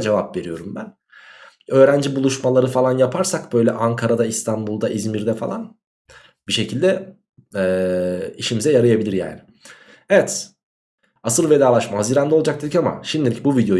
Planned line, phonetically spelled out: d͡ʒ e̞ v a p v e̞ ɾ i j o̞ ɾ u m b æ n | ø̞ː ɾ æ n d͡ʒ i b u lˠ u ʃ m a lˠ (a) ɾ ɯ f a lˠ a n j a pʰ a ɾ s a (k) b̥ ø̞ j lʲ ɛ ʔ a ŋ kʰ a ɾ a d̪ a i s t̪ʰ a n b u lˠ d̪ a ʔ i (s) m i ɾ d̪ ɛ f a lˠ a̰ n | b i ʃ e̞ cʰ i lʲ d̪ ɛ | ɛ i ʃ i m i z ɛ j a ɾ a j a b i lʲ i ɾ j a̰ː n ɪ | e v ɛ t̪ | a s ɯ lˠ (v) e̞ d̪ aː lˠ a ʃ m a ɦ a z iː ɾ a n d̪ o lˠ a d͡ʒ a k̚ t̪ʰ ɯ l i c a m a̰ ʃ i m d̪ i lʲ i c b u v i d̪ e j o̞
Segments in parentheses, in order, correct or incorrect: correct, correct, incorrect: z, correct

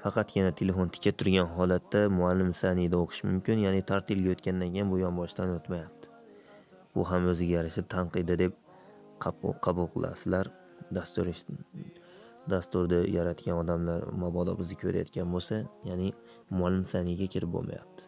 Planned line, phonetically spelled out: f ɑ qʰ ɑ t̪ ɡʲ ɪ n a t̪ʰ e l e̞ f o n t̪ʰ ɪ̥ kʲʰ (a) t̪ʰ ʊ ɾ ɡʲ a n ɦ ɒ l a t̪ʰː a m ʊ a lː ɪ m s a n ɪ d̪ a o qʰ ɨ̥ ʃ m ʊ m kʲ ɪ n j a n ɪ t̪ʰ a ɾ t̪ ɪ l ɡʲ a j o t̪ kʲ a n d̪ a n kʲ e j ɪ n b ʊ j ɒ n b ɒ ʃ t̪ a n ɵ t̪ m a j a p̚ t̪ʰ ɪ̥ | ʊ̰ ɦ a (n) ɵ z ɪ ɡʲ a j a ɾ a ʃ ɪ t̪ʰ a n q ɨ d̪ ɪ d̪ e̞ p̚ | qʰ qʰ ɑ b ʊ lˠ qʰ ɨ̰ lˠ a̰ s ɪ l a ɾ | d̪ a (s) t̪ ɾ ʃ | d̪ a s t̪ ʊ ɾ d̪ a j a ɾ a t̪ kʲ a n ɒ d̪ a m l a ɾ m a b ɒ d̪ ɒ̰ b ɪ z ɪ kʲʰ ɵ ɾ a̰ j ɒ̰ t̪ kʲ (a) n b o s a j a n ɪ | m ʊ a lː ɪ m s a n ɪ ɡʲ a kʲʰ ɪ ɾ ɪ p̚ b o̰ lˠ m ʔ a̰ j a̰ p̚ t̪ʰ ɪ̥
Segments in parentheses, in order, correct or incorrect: correct, incorrect: m, correct, correct

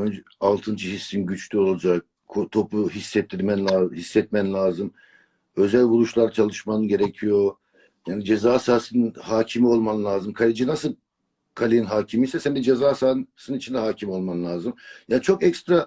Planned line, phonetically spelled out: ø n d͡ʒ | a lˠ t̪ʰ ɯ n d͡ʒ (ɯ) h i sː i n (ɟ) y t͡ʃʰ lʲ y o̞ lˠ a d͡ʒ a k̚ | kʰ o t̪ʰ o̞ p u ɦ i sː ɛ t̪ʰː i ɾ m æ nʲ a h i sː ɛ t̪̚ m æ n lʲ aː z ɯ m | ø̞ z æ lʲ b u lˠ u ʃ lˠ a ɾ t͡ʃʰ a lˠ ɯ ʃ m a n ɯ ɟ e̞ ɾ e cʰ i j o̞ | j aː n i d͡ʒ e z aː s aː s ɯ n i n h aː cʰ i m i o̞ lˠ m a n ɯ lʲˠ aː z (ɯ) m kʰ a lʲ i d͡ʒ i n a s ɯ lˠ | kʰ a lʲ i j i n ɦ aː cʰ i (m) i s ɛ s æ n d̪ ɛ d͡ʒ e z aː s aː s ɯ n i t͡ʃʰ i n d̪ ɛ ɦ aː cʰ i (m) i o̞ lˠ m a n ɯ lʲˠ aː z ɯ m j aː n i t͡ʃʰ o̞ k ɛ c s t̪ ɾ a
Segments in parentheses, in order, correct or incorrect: correct, correct, correct, correct, correct

